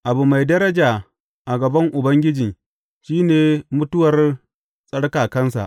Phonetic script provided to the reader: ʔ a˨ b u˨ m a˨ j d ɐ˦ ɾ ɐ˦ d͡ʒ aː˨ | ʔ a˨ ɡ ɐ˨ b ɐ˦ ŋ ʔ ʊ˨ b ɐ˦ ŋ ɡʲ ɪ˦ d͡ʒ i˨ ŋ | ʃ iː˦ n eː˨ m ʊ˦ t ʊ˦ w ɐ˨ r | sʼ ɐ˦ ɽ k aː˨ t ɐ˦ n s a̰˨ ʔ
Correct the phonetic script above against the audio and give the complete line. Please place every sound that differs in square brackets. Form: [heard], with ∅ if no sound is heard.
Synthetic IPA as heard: ʔ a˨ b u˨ m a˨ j d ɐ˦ ɾ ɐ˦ d͡ʒ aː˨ | ʔ a˨ ɡ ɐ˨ b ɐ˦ ŋ ʔ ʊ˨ b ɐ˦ ŋ ɡʲ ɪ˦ d͡ʒ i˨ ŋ | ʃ iː˦ n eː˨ m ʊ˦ t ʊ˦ w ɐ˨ r | sʼ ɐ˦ ɽ k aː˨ [k] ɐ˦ n s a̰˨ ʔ